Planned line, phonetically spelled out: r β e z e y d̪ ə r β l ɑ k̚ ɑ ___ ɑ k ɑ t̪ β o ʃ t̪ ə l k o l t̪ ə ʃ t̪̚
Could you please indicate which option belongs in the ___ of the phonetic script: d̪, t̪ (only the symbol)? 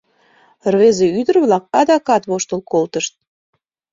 d̪